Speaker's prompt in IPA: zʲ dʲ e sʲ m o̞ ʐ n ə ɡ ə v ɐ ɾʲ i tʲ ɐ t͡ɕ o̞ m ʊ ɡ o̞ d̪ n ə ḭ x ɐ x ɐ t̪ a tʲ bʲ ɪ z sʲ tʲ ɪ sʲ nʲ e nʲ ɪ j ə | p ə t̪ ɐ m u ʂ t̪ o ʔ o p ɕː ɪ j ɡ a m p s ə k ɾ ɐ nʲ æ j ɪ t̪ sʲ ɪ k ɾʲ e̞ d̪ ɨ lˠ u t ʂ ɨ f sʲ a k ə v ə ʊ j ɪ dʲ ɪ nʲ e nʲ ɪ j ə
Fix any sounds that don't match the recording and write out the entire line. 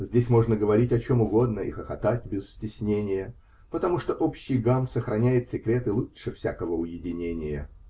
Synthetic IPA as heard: zʲ dʲ e sʲ m o̞ ʐ n ə ɡ ə v ɐ ɾʲ i tʲ ɐ t͡ɕ o̞ m ʊ ɡ o̞ d̪ n ə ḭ x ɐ x ɐ t̪ a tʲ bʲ ɪ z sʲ tʲ ɪ sʲ nʲ e nʲ ɪ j ə | p ə t̪ ɐ m u ʂ t̪ o ʔ o p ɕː ɪ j ɡ a m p s ə x ɾ ɐ nʲ æ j ɪ t̪ sʲ ɪ k ɾʲ e̞ t̪ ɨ lˠ u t ʂ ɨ f sʲ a k ə v ə ʊ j ɪ dʲ ɪ nʲ e nʲ ɪ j ə